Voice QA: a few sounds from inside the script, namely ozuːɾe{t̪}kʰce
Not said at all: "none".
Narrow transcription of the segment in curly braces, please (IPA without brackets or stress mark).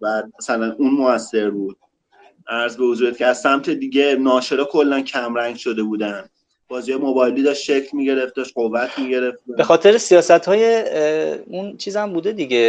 t̪